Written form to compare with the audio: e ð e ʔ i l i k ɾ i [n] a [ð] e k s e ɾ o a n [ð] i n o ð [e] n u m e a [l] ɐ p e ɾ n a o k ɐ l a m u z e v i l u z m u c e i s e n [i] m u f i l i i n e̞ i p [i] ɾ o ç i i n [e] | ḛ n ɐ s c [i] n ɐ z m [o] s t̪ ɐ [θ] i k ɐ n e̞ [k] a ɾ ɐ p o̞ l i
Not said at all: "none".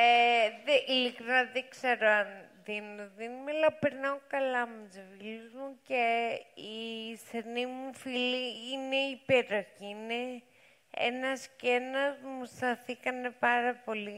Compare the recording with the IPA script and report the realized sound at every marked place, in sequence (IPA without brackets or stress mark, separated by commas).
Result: n, ð, ð, i, l, i, e, e, e, u, θ, p